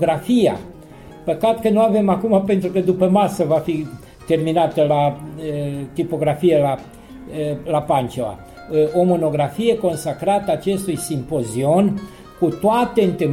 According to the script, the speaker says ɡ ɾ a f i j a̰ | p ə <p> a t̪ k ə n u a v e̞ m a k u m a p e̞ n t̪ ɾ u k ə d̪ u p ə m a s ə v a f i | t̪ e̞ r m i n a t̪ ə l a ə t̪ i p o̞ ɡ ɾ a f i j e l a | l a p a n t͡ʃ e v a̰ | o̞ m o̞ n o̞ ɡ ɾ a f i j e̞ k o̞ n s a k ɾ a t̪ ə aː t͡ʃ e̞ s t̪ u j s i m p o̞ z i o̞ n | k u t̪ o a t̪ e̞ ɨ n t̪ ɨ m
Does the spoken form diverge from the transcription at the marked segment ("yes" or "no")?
yes